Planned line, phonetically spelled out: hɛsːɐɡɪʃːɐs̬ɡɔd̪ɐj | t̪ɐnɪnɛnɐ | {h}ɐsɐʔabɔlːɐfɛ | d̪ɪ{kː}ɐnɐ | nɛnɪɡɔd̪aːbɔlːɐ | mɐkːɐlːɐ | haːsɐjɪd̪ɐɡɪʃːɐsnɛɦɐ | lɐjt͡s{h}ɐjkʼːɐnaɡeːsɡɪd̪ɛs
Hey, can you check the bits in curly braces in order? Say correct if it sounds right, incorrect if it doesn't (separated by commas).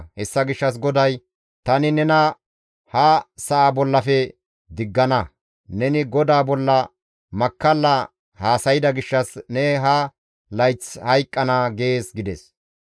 correct, incorrect, correct